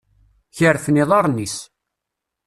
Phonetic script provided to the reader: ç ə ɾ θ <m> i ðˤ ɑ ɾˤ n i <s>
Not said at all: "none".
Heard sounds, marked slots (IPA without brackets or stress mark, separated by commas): n, s